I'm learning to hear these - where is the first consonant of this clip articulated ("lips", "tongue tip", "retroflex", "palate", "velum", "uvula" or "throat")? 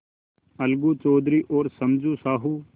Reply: tongue tip